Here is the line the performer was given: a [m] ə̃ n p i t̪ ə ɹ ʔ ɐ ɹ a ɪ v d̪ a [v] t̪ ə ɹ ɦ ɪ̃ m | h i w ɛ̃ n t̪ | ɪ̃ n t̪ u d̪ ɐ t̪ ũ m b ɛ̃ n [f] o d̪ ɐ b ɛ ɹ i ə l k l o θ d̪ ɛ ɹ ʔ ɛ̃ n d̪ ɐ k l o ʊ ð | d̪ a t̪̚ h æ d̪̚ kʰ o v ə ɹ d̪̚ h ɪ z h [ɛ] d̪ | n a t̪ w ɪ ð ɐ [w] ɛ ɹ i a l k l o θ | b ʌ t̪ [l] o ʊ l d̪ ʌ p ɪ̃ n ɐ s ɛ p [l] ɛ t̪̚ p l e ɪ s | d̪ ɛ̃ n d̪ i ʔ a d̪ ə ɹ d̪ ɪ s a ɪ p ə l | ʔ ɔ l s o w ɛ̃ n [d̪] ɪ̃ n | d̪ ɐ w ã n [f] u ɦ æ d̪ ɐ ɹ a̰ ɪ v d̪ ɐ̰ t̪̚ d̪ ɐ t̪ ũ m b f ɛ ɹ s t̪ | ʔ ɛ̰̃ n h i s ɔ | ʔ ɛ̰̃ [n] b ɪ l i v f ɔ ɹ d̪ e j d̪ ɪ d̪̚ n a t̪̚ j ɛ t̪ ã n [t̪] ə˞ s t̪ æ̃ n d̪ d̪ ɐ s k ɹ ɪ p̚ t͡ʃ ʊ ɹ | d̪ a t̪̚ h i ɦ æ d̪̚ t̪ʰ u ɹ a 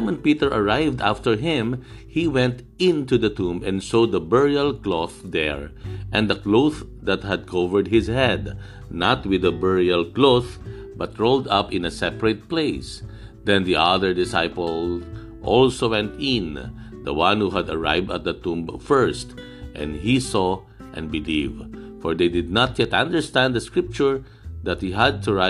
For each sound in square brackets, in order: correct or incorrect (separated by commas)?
correct, incorrect, incorrect, correct, incorrect, incorrect, incorrect, incorrect, incorrect, correct, incorrect